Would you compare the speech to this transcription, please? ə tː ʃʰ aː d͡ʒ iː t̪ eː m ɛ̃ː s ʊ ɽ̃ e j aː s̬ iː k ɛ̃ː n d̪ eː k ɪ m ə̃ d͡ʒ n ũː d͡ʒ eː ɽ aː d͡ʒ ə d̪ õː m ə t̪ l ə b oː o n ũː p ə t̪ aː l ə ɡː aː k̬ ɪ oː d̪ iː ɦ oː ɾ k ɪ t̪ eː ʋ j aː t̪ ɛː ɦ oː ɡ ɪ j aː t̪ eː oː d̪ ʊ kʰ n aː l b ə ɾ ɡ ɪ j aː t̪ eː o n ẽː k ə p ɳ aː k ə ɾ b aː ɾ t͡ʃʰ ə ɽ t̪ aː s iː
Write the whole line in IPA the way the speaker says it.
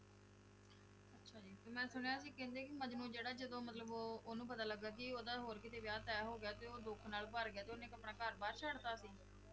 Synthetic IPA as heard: ə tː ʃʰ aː d͡ʒ iː t̪ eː m ɛ̃ː s ʊ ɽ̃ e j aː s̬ iː k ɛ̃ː n d̪ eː k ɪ m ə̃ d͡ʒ n ũː d͡ʒ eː ɽ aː d͡ʒ ə d̪ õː m ə t̪ l ə b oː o n ũː p ə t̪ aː l ə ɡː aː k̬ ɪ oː d̪ aː ɦ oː ɾ k ɪ t̪ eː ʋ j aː t̪ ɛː ɦ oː ɡ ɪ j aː t̪ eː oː d̪ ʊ kʰ n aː l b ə ɾ ɡ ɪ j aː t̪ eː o n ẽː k ə p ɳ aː k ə ɾ b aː ɾ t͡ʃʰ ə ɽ t̪ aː s iː